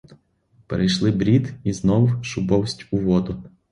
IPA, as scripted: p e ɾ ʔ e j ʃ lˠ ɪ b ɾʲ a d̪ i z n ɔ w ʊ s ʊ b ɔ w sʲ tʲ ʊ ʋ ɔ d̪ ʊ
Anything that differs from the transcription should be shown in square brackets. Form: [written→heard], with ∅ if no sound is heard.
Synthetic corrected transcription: p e ɾ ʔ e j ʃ lˠ ɪ b ɾʲ [a→i] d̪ i z n ɔ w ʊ [s→ʃ] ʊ b ɔ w sʲ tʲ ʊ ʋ ɔ d̪ ʊ